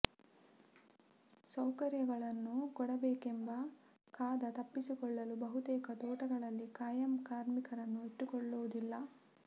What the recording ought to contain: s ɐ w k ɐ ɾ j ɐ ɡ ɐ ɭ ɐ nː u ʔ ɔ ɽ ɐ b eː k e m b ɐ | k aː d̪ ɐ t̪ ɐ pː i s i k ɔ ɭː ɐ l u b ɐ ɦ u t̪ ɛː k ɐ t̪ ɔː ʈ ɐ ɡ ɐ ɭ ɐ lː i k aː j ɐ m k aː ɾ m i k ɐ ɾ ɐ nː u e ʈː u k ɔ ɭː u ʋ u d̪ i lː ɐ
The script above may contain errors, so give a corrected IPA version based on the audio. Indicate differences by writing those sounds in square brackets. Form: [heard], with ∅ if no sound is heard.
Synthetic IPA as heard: s ɐ w k ɐ ɾ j ɐ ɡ ɐ ɭ ɐ nː u [k] ɔ ɽ ɐ b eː k e m b ɐ | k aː d̪ ɐ t̪ ɐ pː i s i k ɔ ɭː ɐ l u b ɐ ɦ u t̪ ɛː k ɐ t̪ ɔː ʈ ɐ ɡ ɐ ɭ ɐ lː i k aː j ɐ m k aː ɾ m i k ɐ ɾ ɐ nː u e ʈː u k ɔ ɭː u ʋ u d̪ i lː ɐ